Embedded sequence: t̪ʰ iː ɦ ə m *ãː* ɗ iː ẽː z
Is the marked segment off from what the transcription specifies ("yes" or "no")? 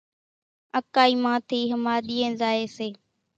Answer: yes